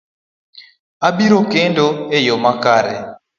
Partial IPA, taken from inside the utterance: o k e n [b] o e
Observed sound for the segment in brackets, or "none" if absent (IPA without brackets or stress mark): d